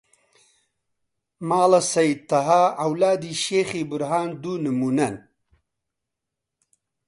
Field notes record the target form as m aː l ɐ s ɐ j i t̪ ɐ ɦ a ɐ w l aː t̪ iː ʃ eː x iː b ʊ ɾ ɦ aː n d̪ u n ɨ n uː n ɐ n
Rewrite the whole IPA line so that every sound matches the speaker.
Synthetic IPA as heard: m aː l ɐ s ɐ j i t̪ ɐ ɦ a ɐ w l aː d̪ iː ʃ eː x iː b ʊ ɾ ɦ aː n d̪ u n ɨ m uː n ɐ n